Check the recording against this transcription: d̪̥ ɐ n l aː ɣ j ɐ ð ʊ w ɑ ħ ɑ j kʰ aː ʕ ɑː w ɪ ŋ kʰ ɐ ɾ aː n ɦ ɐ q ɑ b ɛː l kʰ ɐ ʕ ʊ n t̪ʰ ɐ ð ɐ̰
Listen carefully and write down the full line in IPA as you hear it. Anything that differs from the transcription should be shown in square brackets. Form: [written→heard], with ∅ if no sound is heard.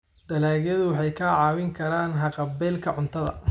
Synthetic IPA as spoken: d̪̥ ɐ [n→∅] l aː ɣ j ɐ ð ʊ w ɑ ħ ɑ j kʰ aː ʕ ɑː w ɪ ŋ kʰ ɐ ɾ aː n ɦ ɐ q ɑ b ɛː l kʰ ɐ ʕ ʊ n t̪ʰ ɐ ð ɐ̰